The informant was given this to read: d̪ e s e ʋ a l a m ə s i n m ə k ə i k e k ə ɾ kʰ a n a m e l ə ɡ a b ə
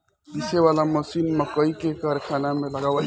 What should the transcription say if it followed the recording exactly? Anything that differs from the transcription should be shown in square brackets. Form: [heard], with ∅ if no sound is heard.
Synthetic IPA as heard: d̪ [i] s e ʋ a l a m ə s i n m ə k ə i k e k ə ɾ kʰ a n a m e l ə ɡ a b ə